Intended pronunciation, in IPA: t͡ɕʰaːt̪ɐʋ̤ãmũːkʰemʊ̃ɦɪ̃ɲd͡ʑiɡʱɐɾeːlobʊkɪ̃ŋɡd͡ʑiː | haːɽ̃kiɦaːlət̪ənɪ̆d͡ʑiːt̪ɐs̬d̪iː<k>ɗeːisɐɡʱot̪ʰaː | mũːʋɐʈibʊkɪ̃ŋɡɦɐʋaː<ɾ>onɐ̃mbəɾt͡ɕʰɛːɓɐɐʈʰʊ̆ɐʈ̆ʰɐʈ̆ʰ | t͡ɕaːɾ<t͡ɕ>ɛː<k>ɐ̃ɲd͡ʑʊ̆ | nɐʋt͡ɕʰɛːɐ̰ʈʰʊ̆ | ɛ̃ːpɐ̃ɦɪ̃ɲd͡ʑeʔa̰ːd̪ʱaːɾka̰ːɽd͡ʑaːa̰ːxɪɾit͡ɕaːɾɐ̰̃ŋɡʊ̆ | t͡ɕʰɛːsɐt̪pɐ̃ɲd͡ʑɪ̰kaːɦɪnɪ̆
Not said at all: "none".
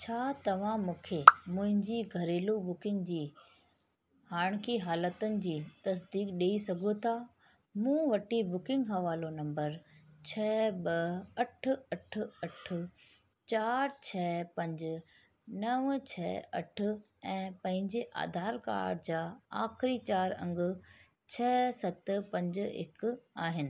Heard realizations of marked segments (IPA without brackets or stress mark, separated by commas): k, l, t͡ɕʰ, p